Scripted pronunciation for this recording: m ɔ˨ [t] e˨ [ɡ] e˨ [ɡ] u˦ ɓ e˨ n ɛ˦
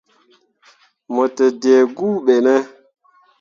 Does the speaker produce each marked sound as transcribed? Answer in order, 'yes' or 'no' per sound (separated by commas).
yes, no, yes